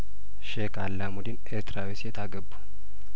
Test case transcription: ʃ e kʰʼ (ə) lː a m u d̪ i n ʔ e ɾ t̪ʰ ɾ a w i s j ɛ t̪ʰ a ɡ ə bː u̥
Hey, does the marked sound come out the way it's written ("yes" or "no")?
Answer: no